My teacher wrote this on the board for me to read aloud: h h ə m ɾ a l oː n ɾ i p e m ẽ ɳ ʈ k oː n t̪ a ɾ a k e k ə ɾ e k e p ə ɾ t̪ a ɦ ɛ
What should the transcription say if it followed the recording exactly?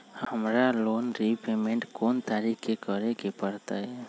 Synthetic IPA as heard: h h ə m ɾ a l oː n ɾ i p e m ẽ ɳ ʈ k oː n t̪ a ɾ i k e k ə ɾ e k e p ə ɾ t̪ a ɦ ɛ